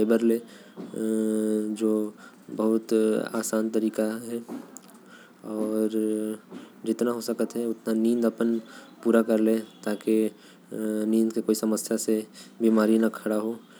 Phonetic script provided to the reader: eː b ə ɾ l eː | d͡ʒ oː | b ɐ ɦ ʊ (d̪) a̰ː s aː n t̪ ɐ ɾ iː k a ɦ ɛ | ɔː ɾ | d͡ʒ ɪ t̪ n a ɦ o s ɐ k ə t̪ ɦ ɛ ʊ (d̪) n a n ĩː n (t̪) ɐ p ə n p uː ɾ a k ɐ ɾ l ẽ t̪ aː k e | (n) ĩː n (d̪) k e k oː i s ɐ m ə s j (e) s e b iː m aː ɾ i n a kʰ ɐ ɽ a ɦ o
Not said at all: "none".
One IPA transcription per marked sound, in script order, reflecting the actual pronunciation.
t̪, t̪, d̪, n, d̪, a

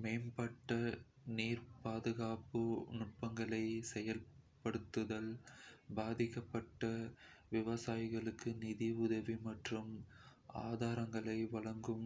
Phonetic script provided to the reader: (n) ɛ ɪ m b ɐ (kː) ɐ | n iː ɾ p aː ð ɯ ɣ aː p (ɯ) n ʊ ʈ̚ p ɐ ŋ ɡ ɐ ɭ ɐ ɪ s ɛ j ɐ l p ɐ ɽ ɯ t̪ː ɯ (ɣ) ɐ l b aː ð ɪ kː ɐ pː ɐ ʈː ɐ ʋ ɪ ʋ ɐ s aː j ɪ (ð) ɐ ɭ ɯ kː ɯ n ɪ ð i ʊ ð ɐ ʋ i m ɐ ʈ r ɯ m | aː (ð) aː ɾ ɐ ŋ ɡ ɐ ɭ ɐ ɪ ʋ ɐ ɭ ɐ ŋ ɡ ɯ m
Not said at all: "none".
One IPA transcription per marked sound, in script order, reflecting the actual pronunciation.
m, ʈː, ɯ, ð, ɣ, ð

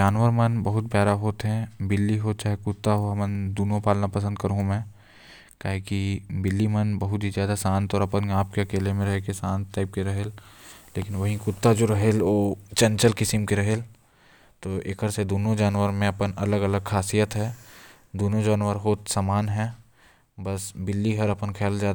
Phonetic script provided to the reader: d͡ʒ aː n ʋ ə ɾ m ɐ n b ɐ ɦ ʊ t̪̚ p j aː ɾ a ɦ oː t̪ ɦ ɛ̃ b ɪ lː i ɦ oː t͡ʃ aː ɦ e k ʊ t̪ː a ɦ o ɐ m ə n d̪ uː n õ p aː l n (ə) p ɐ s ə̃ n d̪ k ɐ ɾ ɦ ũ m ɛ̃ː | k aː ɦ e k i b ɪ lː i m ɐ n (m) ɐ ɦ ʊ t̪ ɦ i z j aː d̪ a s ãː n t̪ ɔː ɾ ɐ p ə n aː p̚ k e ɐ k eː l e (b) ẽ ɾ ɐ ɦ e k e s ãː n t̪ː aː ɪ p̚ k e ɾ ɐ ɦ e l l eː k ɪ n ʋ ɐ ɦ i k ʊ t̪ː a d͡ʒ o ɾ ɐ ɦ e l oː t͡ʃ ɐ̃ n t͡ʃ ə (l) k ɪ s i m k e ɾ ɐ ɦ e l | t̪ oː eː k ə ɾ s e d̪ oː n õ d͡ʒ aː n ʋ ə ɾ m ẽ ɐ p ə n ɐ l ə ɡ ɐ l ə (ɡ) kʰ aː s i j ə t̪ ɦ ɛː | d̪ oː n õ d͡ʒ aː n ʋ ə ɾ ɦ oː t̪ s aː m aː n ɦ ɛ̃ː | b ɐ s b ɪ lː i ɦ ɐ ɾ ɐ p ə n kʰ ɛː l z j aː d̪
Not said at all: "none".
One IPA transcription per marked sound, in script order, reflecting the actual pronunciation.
a, b, m, l, ɡ

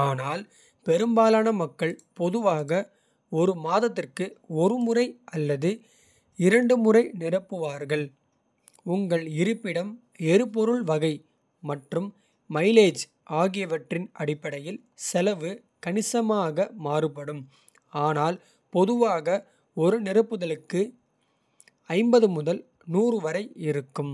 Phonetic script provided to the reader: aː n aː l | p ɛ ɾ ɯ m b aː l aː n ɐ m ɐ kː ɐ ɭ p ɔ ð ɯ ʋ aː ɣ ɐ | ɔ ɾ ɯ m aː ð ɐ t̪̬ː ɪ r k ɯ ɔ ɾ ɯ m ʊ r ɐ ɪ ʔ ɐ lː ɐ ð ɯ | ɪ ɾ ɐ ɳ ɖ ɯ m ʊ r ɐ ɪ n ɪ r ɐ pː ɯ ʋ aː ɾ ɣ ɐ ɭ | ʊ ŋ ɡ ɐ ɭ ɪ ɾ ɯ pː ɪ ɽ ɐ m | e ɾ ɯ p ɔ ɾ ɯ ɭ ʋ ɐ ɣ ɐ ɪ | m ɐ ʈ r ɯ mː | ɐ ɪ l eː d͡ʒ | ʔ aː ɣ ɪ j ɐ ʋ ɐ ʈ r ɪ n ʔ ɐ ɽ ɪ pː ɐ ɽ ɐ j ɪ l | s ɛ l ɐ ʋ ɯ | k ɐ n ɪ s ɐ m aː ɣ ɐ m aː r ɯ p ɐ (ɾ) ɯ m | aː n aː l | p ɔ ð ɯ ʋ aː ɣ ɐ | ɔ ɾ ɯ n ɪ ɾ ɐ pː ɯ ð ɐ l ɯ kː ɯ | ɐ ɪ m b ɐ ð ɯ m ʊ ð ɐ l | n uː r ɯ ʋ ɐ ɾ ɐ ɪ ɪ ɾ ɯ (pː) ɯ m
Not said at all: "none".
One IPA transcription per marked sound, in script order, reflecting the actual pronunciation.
ɽ, kː

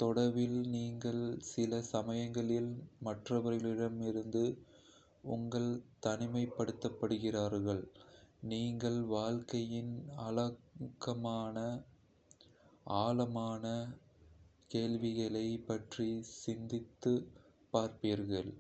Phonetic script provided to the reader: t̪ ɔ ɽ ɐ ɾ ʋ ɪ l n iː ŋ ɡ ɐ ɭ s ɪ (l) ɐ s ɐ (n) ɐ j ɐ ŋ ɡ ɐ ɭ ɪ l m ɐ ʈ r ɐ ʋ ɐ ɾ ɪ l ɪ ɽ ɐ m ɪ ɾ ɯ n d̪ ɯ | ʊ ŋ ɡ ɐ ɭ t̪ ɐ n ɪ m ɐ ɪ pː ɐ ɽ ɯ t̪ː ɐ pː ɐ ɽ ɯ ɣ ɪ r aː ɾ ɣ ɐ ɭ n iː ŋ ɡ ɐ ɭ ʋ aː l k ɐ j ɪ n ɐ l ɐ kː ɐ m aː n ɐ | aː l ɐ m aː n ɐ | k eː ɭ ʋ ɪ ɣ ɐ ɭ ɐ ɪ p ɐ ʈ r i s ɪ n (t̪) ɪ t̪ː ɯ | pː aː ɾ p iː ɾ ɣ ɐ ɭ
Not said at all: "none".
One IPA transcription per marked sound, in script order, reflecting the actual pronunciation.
l, m, d̪

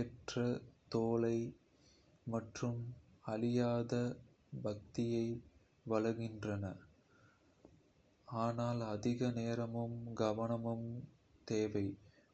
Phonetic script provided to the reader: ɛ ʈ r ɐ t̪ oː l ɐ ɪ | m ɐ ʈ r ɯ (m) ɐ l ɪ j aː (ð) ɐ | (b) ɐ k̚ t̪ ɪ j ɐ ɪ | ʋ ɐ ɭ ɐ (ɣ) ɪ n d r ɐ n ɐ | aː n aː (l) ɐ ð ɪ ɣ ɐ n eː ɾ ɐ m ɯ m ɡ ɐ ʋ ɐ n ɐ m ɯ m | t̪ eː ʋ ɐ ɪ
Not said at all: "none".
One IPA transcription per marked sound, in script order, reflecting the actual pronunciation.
m, ð, b, ɣ, l

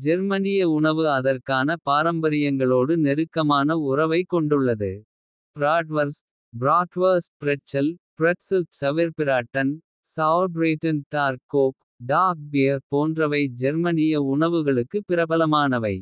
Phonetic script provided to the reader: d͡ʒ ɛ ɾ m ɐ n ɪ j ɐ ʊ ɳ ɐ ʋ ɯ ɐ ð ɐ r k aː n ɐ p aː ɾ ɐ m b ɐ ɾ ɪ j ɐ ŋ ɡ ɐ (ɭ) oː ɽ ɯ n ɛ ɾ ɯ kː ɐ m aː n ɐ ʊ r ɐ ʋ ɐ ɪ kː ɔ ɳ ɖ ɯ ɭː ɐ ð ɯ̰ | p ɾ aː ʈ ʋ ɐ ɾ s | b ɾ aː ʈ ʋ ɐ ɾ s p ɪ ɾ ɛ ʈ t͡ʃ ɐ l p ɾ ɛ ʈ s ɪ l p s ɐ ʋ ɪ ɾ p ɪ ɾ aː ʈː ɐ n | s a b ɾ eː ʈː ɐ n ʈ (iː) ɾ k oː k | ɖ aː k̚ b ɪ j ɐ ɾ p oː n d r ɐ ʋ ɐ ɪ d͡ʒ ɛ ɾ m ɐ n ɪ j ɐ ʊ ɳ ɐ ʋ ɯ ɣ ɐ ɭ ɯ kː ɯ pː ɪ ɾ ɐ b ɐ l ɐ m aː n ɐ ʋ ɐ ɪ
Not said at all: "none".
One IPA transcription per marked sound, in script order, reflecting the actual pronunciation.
ɭ, aː

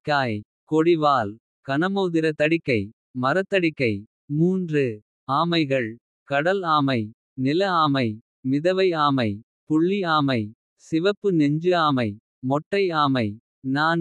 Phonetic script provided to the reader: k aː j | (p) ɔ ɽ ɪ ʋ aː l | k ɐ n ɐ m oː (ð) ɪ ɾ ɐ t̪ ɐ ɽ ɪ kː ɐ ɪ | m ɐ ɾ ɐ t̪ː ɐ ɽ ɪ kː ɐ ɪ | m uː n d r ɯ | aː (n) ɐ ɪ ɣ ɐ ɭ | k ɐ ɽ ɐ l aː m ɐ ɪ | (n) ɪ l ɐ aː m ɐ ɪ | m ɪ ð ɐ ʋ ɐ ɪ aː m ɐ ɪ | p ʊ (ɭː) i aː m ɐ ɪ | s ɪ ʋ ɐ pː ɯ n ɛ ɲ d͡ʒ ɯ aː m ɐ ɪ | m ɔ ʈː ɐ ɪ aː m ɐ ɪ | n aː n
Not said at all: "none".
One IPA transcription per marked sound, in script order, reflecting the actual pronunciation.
k, ð, m, n, ɭː

